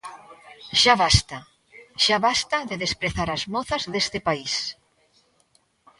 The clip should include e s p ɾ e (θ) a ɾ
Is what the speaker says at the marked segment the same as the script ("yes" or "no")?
yes